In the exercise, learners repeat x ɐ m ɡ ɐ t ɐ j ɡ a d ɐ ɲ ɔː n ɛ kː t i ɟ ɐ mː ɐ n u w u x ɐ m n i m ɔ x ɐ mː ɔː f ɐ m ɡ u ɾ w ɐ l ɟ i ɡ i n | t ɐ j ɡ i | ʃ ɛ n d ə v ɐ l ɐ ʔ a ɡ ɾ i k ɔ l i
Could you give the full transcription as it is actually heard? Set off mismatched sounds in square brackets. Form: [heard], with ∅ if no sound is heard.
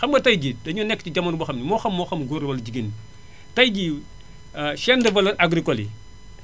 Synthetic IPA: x ɐ m ɡ ɐ t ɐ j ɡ [i] d ɐ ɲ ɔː n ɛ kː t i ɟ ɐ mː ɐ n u [b] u x ɐ m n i m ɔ x ɐ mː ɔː [x] ɐ m ɡ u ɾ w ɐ l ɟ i ɡ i n | t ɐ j ɡ i | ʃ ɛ n d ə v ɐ l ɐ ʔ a ɡ ɾ i k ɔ l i